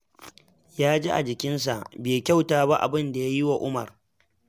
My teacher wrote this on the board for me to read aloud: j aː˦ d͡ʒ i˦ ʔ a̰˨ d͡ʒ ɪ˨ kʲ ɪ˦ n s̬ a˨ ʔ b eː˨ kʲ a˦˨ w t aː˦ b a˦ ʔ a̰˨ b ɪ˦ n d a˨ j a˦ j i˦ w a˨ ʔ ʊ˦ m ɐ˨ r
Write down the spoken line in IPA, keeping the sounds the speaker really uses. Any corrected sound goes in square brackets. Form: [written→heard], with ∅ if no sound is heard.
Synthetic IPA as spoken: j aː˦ d͡ʒ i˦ ʔ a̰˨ d͡ʒ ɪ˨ kʲ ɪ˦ n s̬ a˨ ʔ b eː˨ kʲ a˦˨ w t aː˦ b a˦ ʔ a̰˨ b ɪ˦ n d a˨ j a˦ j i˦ w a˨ ʔ ʊ˦ m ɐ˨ r